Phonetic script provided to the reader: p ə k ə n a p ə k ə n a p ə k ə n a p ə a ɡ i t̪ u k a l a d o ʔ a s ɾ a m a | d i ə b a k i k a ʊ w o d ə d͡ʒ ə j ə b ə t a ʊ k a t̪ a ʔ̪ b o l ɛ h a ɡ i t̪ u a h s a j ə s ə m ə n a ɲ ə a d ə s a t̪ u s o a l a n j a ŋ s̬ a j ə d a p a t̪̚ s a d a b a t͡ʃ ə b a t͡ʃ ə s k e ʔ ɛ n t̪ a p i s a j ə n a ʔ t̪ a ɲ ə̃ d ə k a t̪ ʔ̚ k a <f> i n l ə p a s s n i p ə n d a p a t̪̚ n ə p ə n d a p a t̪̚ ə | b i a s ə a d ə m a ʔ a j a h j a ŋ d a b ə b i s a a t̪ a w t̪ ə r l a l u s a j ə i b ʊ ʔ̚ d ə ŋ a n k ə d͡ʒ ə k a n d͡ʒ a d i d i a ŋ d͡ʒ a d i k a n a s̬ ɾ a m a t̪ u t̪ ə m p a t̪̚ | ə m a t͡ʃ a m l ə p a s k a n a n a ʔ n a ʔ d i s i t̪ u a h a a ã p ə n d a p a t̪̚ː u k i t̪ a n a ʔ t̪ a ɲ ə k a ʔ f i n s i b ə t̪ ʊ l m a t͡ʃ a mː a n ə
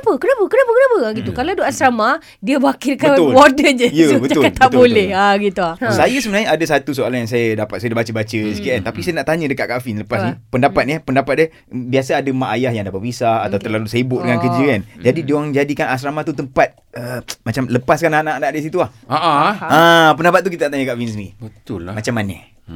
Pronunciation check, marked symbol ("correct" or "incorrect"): correct